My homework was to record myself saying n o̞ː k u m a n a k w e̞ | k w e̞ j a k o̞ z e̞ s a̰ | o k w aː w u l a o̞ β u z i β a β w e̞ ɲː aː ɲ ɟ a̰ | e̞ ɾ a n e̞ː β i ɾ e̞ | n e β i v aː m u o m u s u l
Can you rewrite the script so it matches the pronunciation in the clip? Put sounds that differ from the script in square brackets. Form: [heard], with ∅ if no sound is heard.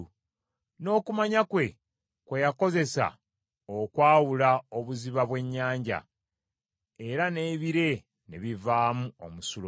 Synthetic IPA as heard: n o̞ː k u m a [ɲ] a k w e̞ | k w e̞ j a k o̞ z e̞ s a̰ | o k w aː w u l a o̞ β u z i β a β w e̞ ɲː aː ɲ ɟ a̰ | e̞ ɾ a n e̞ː β i ɾ e̞ | n e β i v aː m u o m u s u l